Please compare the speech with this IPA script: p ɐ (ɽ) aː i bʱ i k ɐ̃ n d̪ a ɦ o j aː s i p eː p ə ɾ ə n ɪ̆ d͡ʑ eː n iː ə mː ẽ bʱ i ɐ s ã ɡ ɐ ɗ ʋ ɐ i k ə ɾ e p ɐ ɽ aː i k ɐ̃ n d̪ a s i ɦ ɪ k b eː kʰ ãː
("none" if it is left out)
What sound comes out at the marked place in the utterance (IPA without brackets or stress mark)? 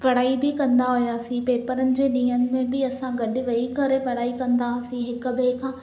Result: ɽ